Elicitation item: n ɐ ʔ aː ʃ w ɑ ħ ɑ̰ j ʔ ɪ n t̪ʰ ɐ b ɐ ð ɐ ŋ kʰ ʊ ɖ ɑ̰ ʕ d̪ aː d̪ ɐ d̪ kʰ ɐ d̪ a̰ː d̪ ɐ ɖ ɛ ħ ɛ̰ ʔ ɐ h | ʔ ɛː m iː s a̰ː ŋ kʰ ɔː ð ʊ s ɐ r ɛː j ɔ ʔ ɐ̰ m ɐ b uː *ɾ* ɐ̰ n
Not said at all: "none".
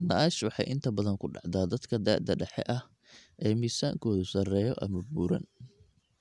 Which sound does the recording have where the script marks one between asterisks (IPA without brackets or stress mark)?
ɾ